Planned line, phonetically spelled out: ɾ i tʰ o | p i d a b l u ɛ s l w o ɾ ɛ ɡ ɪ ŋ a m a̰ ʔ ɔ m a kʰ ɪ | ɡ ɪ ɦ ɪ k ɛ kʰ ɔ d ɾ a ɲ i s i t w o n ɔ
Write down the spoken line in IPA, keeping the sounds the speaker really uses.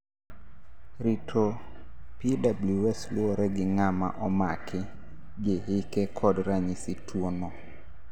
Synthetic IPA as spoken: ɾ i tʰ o | p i d a b l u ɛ s l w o ɾ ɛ ɡ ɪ ŋ a m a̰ ʔ ɔ m a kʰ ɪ | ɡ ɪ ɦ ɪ k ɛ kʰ ɔ d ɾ a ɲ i s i t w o n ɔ